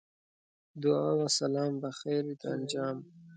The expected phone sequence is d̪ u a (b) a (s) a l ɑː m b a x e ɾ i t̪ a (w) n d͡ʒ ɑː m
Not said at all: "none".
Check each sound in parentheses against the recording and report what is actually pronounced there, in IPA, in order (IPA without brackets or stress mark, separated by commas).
w, s, none